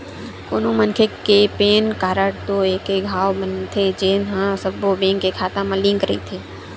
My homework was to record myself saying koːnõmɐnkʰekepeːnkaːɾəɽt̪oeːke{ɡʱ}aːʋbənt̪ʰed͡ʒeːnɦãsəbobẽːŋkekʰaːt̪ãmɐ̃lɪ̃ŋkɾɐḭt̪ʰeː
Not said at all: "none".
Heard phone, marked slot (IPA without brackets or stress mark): ɡʱ